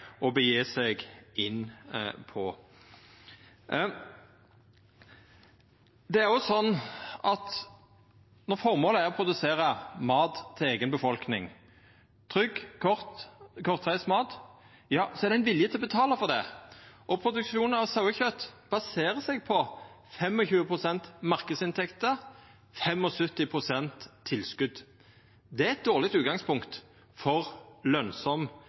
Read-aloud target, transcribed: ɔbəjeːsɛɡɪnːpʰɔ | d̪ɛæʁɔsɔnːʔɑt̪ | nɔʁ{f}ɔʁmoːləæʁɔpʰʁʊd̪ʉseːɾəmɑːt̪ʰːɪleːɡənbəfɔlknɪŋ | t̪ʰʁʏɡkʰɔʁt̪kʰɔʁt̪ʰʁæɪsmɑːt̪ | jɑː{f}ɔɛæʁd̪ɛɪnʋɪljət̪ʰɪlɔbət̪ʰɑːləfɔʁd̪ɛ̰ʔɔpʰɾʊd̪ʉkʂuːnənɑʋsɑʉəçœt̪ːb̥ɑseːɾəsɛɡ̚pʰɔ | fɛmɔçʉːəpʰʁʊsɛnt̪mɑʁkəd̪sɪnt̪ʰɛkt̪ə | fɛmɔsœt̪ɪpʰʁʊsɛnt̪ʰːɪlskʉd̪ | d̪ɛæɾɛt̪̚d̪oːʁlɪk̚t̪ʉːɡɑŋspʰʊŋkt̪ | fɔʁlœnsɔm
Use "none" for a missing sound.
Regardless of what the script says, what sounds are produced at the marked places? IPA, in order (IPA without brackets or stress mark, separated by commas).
f, s